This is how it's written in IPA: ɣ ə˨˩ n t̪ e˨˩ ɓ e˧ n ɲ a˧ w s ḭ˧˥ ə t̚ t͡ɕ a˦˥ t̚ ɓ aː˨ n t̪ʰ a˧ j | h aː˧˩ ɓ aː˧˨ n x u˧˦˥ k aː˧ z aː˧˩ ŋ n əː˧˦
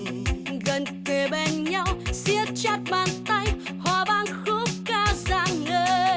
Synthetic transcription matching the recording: ɣ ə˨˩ n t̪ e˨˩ ɓ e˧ n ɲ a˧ w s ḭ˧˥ ə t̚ t͡ɕ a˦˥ t̚ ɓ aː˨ n t̪ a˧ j | h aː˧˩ ɓ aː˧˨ n x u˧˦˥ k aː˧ z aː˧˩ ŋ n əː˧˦